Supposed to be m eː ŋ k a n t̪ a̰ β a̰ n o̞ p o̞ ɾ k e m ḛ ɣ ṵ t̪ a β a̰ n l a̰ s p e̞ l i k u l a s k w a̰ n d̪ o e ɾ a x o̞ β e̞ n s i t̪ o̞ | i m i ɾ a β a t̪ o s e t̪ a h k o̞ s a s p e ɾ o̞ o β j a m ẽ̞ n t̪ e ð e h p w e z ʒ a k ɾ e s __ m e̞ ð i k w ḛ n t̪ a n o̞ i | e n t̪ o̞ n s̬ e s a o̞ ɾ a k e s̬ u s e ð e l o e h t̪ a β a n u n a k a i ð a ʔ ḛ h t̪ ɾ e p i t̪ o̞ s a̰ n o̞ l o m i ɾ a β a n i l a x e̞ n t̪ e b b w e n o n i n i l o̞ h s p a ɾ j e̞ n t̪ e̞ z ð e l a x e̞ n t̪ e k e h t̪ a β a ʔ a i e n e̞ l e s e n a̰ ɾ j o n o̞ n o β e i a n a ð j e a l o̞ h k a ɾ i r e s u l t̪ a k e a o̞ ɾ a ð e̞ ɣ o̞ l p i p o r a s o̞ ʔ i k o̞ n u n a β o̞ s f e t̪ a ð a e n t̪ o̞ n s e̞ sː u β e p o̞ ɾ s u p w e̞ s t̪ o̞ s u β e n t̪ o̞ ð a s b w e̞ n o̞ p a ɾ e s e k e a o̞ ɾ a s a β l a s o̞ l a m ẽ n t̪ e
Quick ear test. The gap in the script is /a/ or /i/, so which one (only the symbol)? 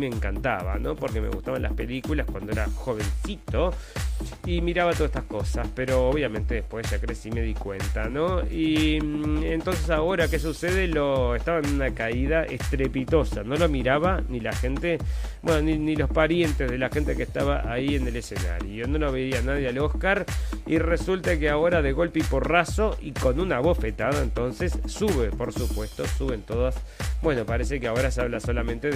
i